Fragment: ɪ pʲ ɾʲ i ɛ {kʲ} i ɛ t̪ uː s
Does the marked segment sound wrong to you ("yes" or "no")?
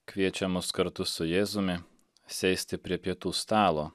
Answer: yes